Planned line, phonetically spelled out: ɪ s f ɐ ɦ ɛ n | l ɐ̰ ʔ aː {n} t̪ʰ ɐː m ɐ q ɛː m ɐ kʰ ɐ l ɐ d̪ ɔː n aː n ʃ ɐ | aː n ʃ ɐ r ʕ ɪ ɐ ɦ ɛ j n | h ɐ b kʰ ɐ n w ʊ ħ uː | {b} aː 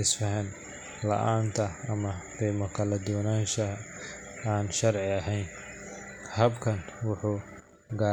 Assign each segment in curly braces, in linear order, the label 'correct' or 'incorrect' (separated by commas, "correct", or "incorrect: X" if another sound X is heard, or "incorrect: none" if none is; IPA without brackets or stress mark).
correct, incorrect: ɡ